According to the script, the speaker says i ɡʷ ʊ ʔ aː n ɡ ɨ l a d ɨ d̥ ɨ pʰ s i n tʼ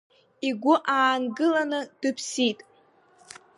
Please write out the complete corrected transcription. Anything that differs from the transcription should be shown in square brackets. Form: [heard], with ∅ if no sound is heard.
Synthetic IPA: i ɡʷ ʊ ʔ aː n ɡ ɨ l a [n] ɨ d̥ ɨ pʰ s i [∅] tʼ

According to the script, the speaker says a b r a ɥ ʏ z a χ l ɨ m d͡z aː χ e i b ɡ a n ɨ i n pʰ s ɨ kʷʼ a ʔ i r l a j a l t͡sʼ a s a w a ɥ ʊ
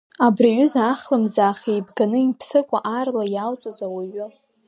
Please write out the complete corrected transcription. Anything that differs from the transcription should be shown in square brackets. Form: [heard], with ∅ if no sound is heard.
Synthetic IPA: a b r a ɥ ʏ z a χ l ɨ m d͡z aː χ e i b ɡ a n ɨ i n pʰ s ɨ kʷʼ a ʔ [a] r l a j a l t͡sʼ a [z] a w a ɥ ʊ

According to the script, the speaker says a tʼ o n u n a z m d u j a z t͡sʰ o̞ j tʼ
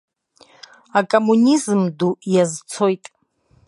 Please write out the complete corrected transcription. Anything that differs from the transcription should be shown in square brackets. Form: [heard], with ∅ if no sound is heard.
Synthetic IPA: a [kʼ] o [m] u n [i] z m d u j a z t͡sʰ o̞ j tʼ

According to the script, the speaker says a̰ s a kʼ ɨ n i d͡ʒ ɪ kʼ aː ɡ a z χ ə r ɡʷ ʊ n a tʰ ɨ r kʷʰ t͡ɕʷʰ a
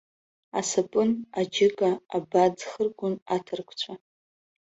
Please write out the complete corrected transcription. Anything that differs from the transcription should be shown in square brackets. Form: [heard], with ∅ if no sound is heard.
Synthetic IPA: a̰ s a [pʼ] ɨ n [a] d͡ʒ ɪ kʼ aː [b] a [d͡z] χ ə r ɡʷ ʊ n a tʰ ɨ r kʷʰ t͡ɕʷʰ a

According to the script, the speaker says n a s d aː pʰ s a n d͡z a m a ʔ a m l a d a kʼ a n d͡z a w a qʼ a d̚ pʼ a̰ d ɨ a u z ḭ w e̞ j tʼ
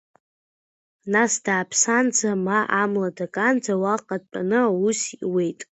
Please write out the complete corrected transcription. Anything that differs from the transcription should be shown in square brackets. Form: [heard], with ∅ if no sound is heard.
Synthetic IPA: n a s d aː pʰ s a n d͡z a m a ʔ a m l a d a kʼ a n d͡z a w a qʼ a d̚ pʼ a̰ [n] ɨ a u [s] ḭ w e̞ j tʼ

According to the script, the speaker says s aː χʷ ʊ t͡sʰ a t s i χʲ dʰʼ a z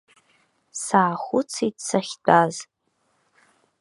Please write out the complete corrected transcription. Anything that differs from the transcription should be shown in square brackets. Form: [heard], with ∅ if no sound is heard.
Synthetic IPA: s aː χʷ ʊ t͡sʰ [i] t s [a] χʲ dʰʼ a z

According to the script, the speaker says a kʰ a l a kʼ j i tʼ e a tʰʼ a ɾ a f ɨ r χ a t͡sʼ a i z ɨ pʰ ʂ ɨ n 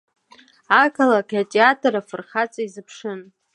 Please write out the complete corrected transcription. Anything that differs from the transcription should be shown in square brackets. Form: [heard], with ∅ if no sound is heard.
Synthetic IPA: a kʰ a l a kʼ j [a] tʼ e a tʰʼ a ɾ a f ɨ r χ a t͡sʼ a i z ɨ pʰ ʂ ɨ n

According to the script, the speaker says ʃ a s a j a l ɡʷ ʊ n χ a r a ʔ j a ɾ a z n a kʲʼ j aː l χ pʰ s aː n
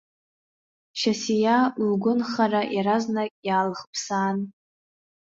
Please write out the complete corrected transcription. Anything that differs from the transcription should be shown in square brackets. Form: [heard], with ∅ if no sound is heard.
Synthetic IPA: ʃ a s [i] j a l ɡʷ ʊ n χ a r a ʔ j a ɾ a z n a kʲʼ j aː l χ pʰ s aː n

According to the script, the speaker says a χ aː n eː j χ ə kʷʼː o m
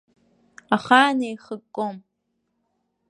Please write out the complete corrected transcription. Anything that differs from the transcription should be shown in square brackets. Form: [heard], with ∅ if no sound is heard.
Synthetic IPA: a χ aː n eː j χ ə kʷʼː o m

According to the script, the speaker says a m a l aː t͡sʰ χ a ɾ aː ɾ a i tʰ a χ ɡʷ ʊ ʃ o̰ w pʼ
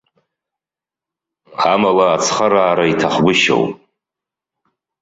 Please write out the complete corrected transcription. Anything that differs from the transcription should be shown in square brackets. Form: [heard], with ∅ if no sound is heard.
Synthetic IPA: a m a l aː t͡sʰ χ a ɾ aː ɾ a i tʰ a χ ɡʷ ʊ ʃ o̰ w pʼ

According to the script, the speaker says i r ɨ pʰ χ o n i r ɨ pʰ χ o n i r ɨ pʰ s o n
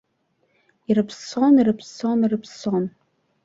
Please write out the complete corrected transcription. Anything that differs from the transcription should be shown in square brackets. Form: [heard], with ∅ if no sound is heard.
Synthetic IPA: i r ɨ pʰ [s] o n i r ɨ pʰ [s] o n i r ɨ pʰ s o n

